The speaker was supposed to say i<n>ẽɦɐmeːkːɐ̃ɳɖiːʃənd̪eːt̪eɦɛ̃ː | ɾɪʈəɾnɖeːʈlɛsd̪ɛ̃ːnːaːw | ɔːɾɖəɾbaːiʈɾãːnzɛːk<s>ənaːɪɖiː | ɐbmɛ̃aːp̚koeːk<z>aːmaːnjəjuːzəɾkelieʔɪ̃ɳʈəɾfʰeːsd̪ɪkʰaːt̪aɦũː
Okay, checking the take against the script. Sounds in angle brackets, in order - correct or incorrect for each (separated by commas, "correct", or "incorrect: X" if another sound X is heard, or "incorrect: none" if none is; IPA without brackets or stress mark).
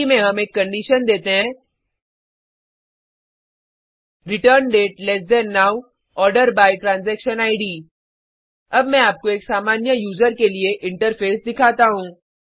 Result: incorrect: m, incorrect: ʃ, incorrect: s